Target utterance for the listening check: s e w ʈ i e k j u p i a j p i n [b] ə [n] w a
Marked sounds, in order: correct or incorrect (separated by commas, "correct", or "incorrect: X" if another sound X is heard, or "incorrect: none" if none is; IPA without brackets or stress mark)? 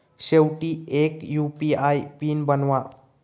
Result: correct, correct